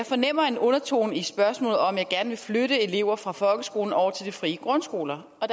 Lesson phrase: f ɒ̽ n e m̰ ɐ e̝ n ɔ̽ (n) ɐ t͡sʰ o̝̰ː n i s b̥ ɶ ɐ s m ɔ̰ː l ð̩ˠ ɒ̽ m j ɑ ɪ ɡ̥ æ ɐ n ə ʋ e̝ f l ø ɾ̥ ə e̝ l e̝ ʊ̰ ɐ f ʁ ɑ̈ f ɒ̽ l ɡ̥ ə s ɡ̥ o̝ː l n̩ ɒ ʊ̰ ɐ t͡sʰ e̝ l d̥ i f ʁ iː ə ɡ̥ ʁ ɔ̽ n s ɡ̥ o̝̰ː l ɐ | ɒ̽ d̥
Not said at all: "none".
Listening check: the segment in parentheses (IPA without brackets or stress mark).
n